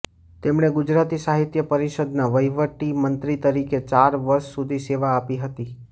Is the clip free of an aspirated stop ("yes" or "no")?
yes